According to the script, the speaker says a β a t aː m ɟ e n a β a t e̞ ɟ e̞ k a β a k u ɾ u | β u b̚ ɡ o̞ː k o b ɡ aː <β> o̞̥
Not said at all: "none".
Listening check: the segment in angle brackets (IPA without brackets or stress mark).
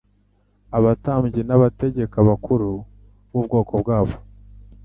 β